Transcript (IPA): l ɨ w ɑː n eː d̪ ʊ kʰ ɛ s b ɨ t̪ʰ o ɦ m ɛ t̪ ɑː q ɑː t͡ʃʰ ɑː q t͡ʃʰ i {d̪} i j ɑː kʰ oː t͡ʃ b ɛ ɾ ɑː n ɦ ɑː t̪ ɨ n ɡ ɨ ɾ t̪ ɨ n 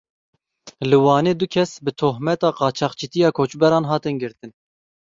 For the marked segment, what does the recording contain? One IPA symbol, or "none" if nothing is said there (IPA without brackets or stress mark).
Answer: t̪